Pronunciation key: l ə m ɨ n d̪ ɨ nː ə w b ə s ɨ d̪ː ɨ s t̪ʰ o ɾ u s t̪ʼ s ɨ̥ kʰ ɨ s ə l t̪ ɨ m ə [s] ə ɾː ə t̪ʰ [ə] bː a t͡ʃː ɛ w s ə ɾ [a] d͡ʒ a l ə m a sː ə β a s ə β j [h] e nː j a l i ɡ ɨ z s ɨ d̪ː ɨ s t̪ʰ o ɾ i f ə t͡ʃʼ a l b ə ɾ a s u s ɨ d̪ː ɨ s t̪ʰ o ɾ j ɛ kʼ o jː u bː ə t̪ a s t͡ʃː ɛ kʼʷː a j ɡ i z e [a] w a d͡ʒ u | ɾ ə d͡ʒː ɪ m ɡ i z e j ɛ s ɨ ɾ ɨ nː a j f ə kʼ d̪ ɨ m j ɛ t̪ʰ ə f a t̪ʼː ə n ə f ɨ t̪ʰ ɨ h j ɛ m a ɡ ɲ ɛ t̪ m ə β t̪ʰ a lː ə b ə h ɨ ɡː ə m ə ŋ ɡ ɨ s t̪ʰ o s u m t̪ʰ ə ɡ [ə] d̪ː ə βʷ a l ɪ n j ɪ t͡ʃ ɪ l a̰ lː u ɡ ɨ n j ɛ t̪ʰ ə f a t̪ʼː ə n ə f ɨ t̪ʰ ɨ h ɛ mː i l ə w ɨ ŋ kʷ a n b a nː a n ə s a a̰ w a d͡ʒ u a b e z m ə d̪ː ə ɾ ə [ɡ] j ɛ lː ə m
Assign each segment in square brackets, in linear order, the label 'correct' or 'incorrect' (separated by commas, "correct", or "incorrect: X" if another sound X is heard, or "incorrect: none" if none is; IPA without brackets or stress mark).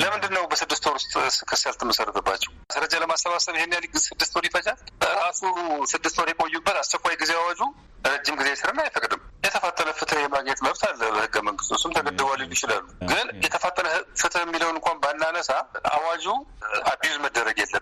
correct, correct, incorrect: ə, correct, correct, correct, correct